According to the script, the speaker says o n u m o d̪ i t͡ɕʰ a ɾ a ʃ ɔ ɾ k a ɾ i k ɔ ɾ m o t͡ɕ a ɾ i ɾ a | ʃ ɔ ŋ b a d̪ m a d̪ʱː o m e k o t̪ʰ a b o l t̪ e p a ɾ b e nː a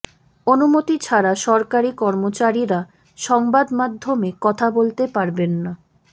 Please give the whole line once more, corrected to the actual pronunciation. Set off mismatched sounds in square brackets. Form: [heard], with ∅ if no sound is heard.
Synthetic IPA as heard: o n u m o [t̪] i t͡ɕʰ a ɾ a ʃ ɔ ɾ k a ɾ i k ɔ ɾ m o t͡ɕ a ɾ i ɾ a | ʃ ɔ ŋ b a d̪ m a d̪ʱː o m e k [ɔ] t̪ʰ a b o l t̪ e p a ɾ b e nː a